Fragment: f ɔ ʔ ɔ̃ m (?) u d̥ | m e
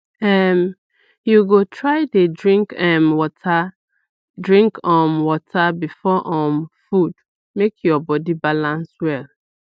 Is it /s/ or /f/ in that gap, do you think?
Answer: f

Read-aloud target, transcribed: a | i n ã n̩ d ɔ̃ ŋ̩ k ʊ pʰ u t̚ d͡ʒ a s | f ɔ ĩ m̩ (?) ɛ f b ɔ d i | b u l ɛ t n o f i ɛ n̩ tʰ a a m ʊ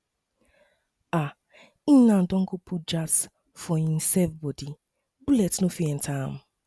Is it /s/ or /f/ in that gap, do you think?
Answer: s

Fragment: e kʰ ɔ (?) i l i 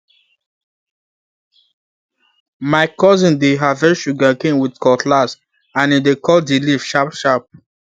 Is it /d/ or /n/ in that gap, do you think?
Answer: d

